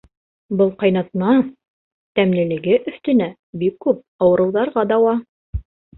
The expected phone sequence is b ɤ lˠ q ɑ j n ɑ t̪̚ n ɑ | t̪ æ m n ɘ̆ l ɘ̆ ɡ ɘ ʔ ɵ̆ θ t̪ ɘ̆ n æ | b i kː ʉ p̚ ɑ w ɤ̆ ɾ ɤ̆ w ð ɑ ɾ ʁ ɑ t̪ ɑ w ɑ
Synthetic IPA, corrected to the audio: b ɤ lˠ q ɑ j n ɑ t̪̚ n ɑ | t̪ æ m n ɘ̆ l ɘ̆ ɡ ɘ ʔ ɵ̆ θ t̪ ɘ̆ n æ | b i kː ʉ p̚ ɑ w ɤ̆ ɾ ɤ̆ w ð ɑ ɾ ʁ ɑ d̪ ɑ w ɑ